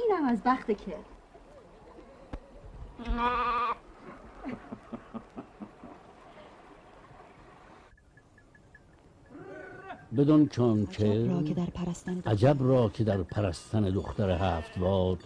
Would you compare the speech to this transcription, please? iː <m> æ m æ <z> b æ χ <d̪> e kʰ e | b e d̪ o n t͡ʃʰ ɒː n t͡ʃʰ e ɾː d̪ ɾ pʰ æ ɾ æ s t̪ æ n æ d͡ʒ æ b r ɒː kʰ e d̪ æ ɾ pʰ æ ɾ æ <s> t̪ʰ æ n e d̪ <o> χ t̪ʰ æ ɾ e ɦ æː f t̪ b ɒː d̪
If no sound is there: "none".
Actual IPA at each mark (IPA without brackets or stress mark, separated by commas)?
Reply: n, z, t̪, s, o